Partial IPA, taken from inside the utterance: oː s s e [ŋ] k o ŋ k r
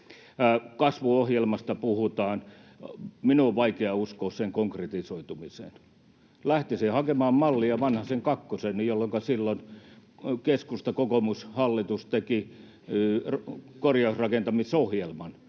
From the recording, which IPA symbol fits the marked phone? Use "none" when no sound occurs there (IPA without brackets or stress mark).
ŋ